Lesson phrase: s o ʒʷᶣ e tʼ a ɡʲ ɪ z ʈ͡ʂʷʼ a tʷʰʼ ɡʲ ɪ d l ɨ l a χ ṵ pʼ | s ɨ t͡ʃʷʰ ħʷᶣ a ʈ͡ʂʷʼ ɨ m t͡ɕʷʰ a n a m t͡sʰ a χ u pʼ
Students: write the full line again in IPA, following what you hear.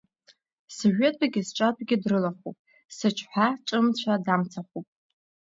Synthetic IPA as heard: s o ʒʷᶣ e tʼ a ɡʲ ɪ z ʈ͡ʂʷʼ a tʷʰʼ ɡʲ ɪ d r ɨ l a χ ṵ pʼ | s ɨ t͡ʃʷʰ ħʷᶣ a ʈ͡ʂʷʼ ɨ m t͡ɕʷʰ a d a m t͡sʰ a χ u pʼ